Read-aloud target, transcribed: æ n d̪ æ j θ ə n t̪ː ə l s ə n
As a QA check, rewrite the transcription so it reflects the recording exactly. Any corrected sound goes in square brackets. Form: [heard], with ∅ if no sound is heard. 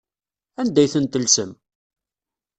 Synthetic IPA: æ n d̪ æ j θ ə n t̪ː ə l s ə [m]